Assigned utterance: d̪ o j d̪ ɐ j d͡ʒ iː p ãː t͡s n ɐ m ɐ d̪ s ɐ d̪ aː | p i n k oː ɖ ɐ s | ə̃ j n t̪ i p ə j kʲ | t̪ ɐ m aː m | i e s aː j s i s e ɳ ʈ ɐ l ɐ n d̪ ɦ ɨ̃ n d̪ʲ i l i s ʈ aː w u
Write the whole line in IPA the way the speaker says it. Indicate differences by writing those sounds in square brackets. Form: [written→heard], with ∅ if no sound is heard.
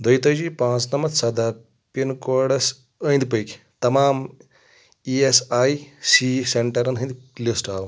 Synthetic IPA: d̪ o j [d̪→t̪] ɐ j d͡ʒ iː p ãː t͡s n ɐ m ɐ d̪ s ɐ d̪ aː | p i n k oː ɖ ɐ s | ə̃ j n [t̪→d̪] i p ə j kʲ | t̪ ɐ m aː m | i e s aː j s i s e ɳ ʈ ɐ [l→ɾ] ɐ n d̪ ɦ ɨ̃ n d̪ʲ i l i s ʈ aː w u